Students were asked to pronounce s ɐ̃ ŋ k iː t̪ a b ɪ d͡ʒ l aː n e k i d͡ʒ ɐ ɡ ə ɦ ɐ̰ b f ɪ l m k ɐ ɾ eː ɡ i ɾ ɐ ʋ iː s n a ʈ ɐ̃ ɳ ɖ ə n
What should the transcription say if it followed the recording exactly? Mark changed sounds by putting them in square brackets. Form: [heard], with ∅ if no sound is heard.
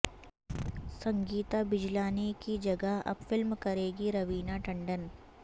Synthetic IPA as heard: s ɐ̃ ŋ [ɡ] iː t̪ a b ɪ d͡ʒ l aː n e k i d͡ʒ ɐ ɡ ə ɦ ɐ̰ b f ɪ l m k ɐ ɾ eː ɡ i ɾ ɐ ʋ iː [∅] n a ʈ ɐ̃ ɳ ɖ ə n